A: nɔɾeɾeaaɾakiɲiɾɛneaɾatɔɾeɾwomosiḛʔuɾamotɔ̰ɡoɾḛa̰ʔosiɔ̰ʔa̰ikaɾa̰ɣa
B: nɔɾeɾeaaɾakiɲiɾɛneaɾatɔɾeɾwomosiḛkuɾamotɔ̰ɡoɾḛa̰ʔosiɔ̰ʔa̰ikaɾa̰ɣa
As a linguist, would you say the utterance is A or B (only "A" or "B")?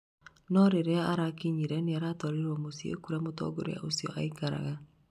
B